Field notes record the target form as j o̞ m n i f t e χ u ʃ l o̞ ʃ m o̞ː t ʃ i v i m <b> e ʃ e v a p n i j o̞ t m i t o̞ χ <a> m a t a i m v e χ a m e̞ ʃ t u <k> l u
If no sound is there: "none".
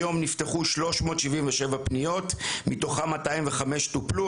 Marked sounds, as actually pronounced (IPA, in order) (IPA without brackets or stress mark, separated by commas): v, a, p